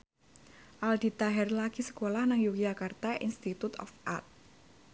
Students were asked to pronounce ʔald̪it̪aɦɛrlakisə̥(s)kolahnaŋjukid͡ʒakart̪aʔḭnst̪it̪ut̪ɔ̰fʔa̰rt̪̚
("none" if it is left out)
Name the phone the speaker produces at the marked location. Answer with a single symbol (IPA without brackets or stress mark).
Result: none